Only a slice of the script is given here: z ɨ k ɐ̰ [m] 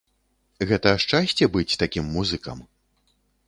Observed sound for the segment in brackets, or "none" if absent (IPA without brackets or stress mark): m